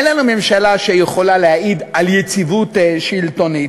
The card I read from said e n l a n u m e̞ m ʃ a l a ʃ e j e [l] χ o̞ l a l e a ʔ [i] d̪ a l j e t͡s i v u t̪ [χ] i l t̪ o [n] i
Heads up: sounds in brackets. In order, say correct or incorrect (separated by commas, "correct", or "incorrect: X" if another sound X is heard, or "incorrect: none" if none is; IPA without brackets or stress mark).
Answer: incorrect: none, correct, incorrect: ʃ, correct